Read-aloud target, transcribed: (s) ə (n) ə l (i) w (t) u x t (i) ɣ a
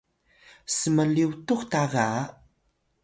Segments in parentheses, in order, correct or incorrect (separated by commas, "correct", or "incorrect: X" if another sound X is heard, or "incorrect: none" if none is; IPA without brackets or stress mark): correct, incorrect: m, correct, correct, incorrect: a